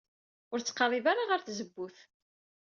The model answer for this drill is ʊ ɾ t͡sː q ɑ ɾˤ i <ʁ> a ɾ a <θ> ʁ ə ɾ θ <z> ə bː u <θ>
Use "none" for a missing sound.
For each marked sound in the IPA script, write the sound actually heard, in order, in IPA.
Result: v, none, z, θ

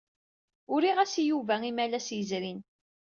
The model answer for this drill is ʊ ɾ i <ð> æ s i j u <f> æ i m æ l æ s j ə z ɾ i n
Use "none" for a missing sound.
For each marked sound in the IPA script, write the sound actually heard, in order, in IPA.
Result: ʁ, v

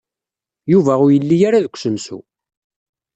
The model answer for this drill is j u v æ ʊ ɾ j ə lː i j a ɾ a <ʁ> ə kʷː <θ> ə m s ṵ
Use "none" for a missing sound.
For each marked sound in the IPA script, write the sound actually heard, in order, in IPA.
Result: ð, s

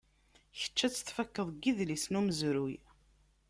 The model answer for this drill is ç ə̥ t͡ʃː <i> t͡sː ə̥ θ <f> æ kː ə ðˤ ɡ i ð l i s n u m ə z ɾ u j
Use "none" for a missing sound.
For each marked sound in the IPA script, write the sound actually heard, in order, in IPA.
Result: æ, f

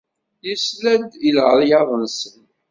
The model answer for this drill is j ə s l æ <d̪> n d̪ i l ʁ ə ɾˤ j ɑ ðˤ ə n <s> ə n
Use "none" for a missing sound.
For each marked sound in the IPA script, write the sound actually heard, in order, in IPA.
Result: none, s

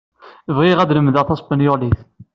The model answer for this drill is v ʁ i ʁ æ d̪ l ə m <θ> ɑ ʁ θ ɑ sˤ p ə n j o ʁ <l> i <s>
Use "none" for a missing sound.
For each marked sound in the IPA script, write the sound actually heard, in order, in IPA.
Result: ð, l, θ

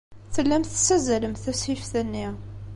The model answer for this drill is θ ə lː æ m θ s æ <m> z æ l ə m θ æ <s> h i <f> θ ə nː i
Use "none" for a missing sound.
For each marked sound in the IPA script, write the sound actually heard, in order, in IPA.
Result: none, s, f

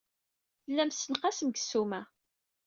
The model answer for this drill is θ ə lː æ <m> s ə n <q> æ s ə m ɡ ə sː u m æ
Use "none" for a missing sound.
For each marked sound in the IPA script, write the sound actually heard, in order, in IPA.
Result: m, q

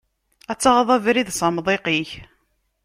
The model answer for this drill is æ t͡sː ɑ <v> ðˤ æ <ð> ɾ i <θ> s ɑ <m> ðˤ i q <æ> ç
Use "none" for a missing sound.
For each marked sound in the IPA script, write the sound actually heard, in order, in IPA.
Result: ʁ, v, ð, m, i

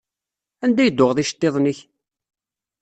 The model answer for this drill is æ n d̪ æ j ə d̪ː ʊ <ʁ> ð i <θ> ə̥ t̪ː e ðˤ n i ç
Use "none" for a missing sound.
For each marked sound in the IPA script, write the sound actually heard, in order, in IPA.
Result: ʁ, ʃ

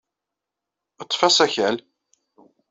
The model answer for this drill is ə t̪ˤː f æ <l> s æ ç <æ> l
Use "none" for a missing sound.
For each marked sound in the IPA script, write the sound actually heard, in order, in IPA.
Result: none, æ

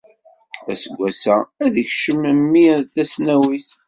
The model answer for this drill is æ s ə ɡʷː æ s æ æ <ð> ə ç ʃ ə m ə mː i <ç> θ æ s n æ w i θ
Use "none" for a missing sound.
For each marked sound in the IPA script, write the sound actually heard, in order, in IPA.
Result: ð, none

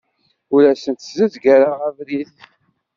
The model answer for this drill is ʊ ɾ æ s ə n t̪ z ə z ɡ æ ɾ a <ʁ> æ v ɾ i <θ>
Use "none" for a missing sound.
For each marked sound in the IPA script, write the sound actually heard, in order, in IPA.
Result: ʁ, θ

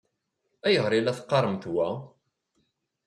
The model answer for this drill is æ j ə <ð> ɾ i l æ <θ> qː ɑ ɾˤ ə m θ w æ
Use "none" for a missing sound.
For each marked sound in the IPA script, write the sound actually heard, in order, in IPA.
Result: ʁ, θ

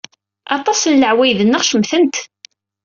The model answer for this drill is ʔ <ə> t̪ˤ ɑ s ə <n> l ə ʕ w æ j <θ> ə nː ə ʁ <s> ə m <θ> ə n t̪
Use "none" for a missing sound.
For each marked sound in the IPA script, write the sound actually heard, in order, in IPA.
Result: ɑ, n, ð, ʃ, θ

